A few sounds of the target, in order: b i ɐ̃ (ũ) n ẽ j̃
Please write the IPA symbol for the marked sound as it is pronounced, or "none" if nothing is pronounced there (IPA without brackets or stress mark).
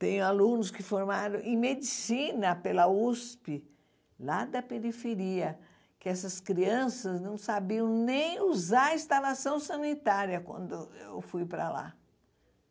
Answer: w̃